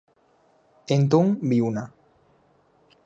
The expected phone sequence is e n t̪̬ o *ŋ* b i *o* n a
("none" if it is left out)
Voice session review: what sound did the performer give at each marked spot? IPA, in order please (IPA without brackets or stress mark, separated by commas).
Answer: ŋ, u